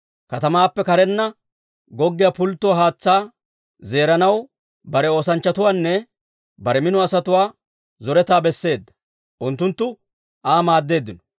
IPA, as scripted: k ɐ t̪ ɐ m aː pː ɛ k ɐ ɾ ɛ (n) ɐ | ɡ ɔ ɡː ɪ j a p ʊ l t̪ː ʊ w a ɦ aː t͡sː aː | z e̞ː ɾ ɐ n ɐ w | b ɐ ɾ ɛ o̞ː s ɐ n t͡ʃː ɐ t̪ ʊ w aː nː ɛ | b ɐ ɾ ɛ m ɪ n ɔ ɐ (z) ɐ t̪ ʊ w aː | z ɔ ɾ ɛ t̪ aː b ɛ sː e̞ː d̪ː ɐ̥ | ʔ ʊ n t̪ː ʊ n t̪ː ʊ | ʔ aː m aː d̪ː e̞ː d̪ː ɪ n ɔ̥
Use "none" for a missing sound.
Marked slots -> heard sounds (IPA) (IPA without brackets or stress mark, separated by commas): nː, s